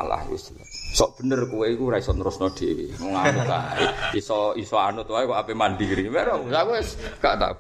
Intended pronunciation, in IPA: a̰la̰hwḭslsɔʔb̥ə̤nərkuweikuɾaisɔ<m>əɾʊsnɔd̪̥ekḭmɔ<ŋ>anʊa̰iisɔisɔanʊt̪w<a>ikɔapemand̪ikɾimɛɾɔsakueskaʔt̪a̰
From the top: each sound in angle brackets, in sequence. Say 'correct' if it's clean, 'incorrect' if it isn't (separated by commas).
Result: incorrect, correct, correct